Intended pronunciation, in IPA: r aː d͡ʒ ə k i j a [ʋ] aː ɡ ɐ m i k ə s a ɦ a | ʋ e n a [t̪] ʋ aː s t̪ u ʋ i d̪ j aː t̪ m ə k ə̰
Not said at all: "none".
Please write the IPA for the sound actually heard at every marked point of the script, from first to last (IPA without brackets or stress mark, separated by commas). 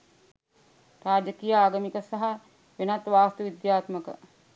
none, t̪